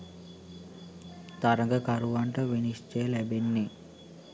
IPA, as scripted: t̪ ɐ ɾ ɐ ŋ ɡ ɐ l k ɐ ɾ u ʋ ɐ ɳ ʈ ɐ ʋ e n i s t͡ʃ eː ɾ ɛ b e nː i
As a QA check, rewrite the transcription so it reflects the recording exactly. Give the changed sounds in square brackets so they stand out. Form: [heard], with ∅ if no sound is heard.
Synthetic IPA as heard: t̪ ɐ ɾ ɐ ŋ ɡ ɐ [∅] k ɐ ɾ u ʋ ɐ ɳ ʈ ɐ ʋ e n i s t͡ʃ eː [l] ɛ b e nː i